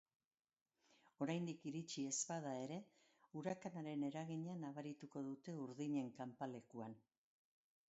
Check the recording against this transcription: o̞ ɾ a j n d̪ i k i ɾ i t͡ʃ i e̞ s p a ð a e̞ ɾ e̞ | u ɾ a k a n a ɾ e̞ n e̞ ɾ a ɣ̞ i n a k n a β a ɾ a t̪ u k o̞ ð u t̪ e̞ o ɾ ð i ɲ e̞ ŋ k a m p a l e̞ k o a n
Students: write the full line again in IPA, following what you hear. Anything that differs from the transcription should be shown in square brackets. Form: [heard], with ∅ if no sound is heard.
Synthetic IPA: o̞ ɾ a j n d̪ i k i ɾ i t͡ʃ i e̞ s p a ð a e̞ ɾ e̞ | u ɾ a k a n a ɾ e̞ n e̞ ɾ a ɣ̞ i [ɲ] a [∅] n a β a ɾ [i] t̪ u k o̞ ð u t̪ e̞ [u] ɾ ð i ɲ e̞ ŋ k a m p a l e̞ k [u] a n